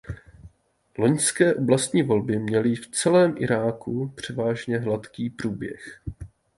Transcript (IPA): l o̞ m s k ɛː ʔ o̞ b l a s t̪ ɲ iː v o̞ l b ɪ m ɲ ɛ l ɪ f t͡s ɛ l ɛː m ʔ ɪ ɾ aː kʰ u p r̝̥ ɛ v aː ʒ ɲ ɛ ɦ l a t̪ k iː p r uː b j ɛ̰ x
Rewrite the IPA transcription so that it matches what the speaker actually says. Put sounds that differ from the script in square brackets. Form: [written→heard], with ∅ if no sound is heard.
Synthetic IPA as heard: l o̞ [m→ɲ] s k ɛː ʔ o̞ b l a s t̪ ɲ iː v o̞ l b ɪ m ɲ ɛ l ɪ f t͡s ɛ l ɛː m ʔ ɪ ɾ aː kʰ u p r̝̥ ɛ v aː ʒ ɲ ɛ ɦ l a t̪ k iː p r uː b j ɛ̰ x